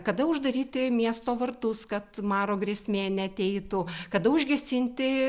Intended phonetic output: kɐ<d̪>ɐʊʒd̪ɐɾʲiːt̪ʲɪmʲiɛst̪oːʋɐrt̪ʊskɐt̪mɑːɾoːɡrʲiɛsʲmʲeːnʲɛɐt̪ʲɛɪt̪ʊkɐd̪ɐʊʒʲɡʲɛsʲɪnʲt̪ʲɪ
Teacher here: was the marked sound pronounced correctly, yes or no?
yes